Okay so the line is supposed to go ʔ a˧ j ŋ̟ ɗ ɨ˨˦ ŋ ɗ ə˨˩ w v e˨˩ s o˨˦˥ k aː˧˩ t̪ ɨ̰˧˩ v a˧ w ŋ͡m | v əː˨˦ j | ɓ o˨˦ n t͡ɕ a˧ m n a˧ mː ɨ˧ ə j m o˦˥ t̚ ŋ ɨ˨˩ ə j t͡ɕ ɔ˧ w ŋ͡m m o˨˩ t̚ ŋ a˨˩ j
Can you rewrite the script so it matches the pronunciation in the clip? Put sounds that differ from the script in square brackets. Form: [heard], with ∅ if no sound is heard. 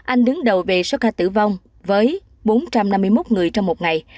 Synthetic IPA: ʔ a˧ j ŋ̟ ɗ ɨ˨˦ ŋ ɗ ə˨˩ w v e˨˩ s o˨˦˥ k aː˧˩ t̪ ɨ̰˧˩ v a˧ w ŋ͡m | v əː˨˦ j | ɓ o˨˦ n t͡ɕ a˧ m n a˧ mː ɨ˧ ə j m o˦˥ t̚ ŋ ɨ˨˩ ə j t͡ɕ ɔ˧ w ŋ͡m m o˨˩ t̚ ŋ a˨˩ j